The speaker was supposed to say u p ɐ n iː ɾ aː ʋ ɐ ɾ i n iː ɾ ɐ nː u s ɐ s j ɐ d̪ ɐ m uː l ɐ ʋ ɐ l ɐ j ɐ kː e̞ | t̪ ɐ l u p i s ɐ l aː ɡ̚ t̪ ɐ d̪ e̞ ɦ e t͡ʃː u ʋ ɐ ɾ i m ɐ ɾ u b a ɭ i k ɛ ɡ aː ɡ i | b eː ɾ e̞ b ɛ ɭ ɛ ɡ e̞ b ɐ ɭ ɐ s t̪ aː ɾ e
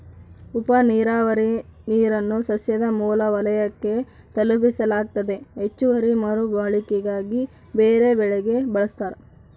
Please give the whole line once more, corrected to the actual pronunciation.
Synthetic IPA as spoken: u p ɐ n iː ɾ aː ʋ ɐ ɾ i n iː ɾ ɐ nː u s ɐ s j ɐ d̪ ɐ m uː l ɐ ʋ ɐ l ɐ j ɐ kː e̞ | t̪ ɐ l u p i s ɐ l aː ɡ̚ t̪ ɐ d̪ e̞ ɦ e t͡ʃː u ʋ ɐ ɾ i m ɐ ɾ u b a ɭ i k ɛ ɡ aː ɡ i | b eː ɾ e̞ b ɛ ɭ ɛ ɡ e̞ b ɐ ɭ ɐ s t̪ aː ɾ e